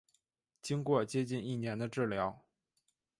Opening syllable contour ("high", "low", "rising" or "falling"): high